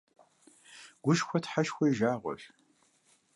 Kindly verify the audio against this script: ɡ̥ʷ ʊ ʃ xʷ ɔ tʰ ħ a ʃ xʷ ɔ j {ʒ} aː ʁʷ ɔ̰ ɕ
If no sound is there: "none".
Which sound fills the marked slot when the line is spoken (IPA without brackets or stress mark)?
ʒ